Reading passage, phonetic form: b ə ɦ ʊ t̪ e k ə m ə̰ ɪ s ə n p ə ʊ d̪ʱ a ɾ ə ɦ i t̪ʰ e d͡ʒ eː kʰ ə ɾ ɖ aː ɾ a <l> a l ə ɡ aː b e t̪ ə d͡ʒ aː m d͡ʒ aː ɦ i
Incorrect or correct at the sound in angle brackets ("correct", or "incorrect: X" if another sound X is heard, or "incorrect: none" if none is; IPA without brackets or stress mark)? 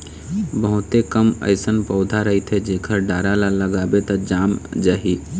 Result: correct